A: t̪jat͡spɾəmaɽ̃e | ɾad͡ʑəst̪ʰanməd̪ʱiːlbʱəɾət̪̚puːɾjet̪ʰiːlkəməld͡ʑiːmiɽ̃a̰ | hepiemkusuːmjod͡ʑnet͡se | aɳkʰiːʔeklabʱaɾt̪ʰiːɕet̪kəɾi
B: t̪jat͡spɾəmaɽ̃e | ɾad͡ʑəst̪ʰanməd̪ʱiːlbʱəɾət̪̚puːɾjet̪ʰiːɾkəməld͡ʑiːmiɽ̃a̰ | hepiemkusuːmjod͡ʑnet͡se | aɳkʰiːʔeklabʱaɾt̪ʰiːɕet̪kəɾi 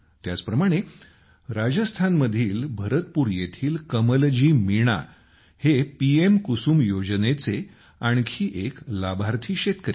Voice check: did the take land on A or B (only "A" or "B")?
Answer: A